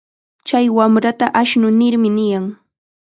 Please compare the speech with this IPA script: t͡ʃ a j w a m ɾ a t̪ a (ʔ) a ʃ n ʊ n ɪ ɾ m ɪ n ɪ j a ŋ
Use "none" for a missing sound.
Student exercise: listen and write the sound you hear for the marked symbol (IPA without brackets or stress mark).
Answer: ʔ